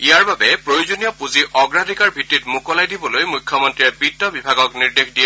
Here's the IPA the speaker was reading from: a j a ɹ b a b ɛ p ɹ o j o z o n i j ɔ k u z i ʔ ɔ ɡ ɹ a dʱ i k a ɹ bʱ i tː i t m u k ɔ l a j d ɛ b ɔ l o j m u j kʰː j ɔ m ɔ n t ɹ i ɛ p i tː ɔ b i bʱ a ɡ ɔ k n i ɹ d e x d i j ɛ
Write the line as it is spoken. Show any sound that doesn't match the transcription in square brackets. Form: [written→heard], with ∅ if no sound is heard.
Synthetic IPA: [a→i] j a ɹ b a b ɛ p ɹ o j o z o n i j ɔ [k→p] u z i ʔ ɔ ɡ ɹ a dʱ i k a ɹ bʱ i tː i t m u k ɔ l a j d [ɛ→i] b ɔ l o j m u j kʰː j ɔ m ɔ n t ɹ i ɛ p i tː ɔ b i bʱ a ɡ ɔ k n i ɹ d e x d i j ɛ